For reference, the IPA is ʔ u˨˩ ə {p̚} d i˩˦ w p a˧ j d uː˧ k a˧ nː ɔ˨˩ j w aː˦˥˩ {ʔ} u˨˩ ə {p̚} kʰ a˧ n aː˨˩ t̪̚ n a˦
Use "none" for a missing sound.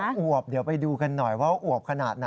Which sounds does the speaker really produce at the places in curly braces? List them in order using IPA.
p̚, ʔ, p̚

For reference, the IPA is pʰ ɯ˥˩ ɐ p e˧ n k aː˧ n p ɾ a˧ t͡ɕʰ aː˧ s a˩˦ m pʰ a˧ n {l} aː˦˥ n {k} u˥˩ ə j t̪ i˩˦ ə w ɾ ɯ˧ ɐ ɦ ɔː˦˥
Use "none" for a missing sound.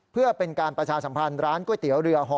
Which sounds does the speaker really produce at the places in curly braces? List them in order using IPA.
ɾ, k

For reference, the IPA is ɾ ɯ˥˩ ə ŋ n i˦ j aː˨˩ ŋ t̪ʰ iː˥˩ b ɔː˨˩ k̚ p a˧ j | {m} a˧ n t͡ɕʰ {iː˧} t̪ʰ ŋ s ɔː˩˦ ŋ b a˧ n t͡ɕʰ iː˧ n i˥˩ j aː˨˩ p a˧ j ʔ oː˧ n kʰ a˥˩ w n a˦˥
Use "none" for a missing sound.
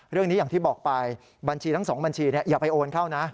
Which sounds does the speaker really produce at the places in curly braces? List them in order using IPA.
b, iː˧

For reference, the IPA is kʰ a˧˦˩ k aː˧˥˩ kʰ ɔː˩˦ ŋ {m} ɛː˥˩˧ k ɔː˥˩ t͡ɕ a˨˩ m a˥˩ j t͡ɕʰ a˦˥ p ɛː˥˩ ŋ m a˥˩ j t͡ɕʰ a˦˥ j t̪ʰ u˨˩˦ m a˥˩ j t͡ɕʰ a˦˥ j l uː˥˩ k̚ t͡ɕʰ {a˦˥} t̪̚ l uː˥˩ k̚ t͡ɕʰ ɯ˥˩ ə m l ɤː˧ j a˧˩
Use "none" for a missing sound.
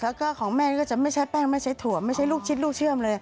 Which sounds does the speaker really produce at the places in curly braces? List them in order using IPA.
m, i˦˥

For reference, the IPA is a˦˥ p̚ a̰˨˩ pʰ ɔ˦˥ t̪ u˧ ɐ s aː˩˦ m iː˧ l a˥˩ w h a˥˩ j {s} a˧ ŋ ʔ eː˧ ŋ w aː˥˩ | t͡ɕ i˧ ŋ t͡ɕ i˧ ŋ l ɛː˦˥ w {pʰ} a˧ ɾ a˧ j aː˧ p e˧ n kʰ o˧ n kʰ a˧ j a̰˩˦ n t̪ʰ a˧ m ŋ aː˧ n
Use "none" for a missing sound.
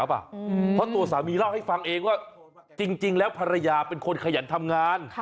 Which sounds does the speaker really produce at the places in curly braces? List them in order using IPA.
f, pʰ

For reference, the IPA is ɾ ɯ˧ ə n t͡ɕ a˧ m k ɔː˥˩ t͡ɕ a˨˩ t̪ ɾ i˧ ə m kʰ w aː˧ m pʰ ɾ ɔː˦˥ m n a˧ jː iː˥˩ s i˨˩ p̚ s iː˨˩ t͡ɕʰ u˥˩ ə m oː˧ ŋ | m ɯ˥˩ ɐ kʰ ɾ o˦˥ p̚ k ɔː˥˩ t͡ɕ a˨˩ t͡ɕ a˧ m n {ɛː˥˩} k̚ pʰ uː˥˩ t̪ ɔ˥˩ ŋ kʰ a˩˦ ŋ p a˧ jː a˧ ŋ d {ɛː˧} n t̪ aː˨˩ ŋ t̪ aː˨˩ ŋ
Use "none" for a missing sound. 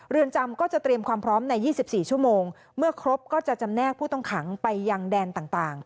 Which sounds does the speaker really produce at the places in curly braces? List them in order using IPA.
ɛː˥˩, ɛː˧

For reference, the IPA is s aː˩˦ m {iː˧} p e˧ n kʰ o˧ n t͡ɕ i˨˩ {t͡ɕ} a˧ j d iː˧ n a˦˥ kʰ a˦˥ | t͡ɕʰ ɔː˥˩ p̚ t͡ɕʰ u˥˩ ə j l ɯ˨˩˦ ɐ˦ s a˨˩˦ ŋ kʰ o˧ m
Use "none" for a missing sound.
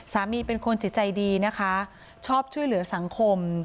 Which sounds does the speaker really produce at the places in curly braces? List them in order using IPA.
iː˧, t͡ɕ

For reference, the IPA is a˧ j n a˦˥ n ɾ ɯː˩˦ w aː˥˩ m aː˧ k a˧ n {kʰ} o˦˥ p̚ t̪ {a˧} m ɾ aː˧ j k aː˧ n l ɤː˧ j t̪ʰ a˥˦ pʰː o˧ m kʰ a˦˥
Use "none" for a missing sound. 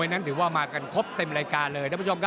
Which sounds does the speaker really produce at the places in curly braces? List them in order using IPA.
kʰ, e˧

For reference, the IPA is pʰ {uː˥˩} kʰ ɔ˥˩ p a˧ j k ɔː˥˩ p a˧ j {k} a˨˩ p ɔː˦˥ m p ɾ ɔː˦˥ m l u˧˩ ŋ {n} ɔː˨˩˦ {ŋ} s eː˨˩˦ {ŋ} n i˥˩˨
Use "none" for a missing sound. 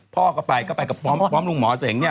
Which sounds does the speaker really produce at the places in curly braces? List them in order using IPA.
ɔː˥˩, k, m, none, ŋ

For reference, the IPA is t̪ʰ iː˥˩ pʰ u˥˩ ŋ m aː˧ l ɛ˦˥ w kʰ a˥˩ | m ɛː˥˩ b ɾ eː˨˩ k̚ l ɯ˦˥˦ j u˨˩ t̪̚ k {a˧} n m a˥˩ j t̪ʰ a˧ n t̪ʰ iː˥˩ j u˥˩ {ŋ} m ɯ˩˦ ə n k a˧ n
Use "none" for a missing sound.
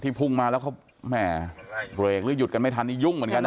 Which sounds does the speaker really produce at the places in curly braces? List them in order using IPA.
a˧, ŋ

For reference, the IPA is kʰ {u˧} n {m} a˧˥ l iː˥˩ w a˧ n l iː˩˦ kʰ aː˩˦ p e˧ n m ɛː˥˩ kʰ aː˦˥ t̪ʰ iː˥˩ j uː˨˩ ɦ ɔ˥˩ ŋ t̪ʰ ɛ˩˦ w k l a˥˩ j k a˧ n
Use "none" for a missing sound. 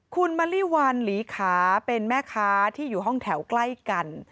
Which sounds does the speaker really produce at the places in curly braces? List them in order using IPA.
u˧, m

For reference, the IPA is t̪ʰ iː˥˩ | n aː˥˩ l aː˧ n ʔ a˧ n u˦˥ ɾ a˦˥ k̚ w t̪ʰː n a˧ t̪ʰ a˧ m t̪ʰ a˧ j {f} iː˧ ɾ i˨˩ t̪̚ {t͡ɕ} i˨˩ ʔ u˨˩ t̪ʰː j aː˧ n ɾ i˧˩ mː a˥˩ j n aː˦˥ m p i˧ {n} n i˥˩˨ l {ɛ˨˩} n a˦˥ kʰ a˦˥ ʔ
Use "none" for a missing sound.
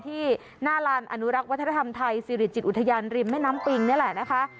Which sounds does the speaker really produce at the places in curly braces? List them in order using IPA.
s, t͡ɕ, ŋ, ɛ˨˩

